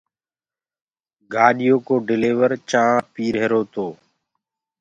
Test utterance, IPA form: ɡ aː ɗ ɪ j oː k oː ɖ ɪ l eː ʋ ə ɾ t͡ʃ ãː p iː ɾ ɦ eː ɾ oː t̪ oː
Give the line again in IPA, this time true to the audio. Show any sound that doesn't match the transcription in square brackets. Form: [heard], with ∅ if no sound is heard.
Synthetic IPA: ɡ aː ɗ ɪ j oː k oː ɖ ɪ l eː ʋ ə ɾ t͡ʃ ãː p iː ɾ ɦ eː ɾ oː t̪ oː